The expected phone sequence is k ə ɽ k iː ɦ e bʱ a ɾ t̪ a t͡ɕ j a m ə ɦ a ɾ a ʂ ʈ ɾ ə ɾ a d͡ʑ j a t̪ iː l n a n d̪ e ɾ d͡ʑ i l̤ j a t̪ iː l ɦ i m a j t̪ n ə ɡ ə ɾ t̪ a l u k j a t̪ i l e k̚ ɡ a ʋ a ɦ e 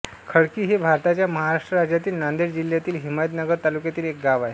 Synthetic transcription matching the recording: kʰ ə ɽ k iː ɦ e bʱ a ɾ t̪ a t͡ɕ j a m ə ɦ a ɾ a ʂ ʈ ɾ ə ɾ a d͡ʑ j a t̪ iː l n a n d̪ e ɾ d͡ʑ i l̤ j a t̪ iː l ɦ i m a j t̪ n ə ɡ ə ɾ t̪ a l u k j a t̪ iː l e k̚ ɡ a ʋ a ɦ e